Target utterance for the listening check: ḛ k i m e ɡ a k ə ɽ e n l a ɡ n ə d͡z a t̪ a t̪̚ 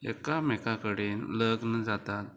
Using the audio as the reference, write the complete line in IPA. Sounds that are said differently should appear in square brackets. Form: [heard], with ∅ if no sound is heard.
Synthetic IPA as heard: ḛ k [a] m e [k] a k ə ɽ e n l [ə] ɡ n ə d͡z a t̪ a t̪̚

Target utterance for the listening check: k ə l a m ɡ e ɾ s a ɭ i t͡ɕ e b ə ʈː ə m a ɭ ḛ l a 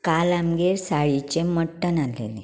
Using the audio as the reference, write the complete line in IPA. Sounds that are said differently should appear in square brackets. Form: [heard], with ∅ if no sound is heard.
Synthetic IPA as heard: k [a] l a m ɡ e ɾ s a ɭ i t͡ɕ e [m] ə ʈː ə [n] a [l] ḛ l [e]

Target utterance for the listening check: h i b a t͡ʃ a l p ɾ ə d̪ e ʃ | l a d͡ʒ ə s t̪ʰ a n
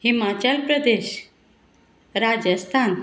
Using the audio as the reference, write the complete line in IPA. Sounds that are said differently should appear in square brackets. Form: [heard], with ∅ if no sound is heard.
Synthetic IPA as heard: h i [m] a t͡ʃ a l p ɾ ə d̪ e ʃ | [ɾ] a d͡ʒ ə s t̪ʰ a n

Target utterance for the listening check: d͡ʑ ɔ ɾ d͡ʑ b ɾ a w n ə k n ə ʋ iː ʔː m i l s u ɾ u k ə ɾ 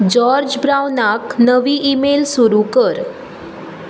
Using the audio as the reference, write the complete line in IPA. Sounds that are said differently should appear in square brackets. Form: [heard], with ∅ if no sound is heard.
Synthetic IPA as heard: d͡ʑ ɔ ɾ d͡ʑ b ɾ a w n [a] k n ə ʋ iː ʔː m [e] l s u ɾ u k ə ɾ

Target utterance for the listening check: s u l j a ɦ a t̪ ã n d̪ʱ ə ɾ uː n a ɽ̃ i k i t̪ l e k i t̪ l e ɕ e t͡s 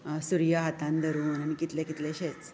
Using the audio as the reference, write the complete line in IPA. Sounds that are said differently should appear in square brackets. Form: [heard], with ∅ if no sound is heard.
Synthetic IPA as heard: s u [ɾ] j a ɦ a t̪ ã n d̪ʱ ə ɾ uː n a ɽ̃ i k i t̪ l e k i t̪ l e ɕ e t͡s

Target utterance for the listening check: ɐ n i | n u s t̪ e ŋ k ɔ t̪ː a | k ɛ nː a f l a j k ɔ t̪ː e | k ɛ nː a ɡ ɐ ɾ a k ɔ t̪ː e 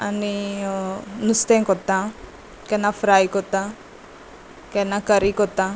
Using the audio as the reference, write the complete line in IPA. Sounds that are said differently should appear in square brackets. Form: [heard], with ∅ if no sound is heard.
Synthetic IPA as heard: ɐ n i | n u s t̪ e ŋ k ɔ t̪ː a | k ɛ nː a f [ɾ] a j k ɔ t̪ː [a] | k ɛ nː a [k] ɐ ɾ [i] k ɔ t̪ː [a]

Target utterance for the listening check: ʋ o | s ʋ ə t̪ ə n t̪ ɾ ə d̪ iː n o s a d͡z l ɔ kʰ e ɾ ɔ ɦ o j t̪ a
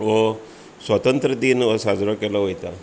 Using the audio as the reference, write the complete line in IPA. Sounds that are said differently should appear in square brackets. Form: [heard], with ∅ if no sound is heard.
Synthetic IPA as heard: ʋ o | s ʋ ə t̪ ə n t̪ ɾ ə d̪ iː n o s a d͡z [ɾ] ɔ [k] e [l] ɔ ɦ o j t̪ a

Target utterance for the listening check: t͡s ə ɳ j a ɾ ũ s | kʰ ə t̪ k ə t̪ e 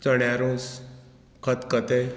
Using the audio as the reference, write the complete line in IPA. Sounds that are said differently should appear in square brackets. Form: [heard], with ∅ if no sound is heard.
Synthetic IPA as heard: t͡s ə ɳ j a ɾ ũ s | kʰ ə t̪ k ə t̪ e

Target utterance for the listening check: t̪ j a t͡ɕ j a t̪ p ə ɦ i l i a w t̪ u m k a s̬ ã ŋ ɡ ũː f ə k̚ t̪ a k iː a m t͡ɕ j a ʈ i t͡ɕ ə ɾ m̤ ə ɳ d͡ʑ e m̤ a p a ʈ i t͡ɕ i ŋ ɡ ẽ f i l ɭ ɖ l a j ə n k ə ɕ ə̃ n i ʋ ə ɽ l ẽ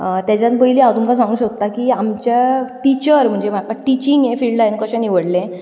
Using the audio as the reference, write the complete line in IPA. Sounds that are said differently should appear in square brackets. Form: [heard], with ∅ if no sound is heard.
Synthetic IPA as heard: t̪ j a t͡ɕ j a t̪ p ə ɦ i l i a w t̪ u m k a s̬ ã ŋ ɡ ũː [ɕ] ə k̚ t̪ a k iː a m t͡ɕ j a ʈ i t͡ɕ ə ɾ m̤ ə ɳ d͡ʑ e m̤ a [k] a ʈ i t͡ɕ i ŋ ɡ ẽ f i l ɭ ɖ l a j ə n k ə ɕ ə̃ n i ʋ ə ɽ l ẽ

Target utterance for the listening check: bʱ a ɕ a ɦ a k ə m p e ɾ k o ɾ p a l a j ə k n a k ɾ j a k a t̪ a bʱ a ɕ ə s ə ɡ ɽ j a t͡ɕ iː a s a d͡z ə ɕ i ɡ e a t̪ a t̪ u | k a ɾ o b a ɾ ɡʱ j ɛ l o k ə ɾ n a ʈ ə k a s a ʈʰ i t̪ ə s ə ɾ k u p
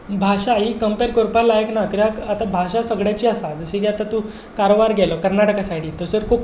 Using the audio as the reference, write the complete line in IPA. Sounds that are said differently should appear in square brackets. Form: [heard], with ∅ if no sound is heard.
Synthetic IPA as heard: bʱ a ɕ a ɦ [i] k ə m p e ɾ k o ɾ p a l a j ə k n a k ɾ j a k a t̪ a bʱ a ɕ [a] s ə ɡ ɽ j a t͡ɕ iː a s a d͡z ə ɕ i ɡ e a t̪ a t̪ u | k a ɾ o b a ɾ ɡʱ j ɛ l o k ə ɾ n a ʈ ə k a s a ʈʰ i t̪ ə s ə ɾ k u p

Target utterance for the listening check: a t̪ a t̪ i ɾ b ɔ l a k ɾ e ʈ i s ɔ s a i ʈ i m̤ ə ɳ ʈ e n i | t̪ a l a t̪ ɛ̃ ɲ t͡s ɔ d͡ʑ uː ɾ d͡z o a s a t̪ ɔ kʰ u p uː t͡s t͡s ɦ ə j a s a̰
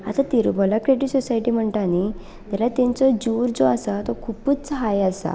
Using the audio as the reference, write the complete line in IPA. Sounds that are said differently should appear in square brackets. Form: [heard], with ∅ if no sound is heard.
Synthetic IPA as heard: a t̪ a t̪ i ɾ b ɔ l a k ɾ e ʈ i s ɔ s a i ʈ i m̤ ə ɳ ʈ [a] n i | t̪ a l a t̪ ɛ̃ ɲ t͡s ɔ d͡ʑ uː ɾ d͡z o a s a t̪ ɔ kʰ u p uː t͡s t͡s ɦ [a] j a s a̰

